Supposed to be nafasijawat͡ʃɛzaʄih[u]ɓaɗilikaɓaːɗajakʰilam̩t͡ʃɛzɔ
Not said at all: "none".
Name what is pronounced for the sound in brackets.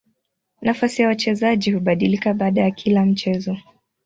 u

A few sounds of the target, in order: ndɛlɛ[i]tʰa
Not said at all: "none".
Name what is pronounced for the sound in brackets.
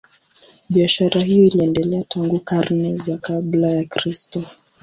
a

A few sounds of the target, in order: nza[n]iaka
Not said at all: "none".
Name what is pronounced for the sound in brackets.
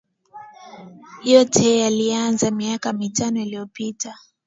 m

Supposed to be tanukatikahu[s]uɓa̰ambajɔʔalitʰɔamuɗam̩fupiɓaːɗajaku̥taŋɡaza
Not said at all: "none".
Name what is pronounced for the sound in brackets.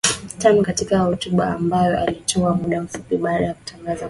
t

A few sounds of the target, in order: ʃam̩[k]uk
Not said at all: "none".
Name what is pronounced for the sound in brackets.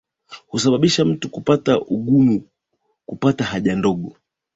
t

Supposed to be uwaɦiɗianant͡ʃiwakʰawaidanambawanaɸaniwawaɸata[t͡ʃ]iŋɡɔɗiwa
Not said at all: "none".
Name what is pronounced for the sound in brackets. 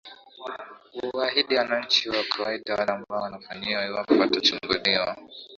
t͡ʃ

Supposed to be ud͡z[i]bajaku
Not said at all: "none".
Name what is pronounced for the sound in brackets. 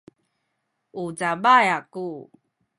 a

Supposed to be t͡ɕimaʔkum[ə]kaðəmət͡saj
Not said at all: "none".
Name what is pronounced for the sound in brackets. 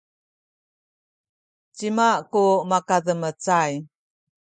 a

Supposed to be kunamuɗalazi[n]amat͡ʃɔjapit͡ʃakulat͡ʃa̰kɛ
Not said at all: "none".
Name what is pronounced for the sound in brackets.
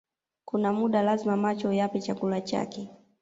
m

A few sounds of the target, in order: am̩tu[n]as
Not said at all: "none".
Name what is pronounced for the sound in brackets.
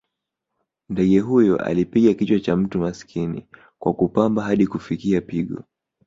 m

